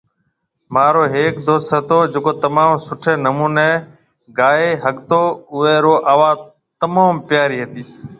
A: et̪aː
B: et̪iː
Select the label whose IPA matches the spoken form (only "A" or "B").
B